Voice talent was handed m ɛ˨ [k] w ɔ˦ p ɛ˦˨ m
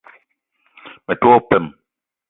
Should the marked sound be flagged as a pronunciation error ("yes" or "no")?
yes